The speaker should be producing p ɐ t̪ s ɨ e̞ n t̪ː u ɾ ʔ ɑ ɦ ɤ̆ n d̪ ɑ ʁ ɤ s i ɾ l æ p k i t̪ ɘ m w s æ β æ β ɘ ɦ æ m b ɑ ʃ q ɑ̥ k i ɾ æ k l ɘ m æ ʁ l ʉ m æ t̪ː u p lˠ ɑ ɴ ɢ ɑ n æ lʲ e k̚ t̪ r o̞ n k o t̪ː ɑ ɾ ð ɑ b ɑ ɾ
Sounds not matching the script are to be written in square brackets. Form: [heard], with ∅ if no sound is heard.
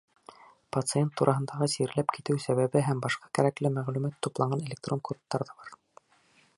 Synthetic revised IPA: p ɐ t̪ s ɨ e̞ n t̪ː u ɾ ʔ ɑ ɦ ɤ̆ n d̪ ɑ ʁ ɤ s i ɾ l æ p k i t̪ ɘ [∅] w s æ β æ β ɘ ɦ æ m b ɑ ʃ q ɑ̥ k [æ] ɾ æ k l ɘ m æ ʁ l ʉ m æ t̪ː u p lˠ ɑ ɴ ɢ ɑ n [e] lʲ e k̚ t̪ r o̞ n k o t̪ː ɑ ɾ ð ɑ b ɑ ɾ